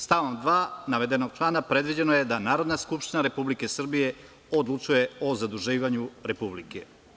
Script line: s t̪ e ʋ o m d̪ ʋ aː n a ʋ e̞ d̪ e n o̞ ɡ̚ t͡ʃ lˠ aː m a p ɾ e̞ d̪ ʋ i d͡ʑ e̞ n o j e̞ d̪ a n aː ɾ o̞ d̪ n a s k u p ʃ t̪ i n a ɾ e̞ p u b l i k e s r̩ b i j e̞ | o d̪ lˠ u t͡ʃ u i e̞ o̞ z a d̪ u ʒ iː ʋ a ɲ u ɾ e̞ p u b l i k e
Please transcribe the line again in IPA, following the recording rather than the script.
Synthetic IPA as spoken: s t̪ a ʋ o m d̪ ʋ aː n a ʋ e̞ d̪ e n o̞ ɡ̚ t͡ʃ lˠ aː n a p ɾ e̞ d̪ ʋ i d͡ʑ e̞ n o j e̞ d̪ a n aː ɾ o̞ d̪ n a s k u p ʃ t̪ i n a ɾ e̞ p u b l i k e s r̩ b i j e̞ | o d̪ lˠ u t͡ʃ u j e̞ o̞ z a d̪ u ʒ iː ʋ a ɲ u ɾ e̞ p u b l i k e